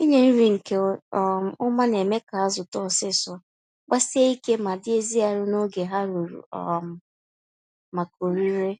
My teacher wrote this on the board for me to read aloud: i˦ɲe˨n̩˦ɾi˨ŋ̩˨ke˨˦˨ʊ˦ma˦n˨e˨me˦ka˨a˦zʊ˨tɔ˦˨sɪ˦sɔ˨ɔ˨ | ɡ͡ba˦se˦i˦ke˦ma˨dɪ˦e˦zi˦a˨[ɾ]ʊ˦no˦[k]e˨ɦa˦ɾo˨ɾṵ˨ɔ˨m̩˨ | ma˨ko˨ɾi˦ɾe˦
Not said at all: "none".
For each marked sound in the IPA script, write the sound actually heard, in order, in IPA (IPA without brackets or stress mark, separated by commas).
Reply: ɾ, ɡ